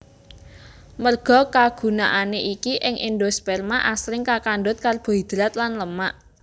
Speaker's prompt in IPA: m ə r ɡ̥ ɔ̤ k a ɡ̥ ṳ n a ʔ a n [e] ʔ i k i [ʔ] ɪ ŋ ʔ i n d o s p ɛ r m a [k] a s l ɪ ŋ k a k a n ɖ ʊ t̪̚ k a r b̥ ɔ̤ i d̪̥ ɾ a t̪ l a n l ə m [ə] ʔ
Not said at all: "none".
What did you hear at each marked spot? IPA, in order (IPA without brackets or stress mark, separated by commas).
e, ʔ, ʔ, a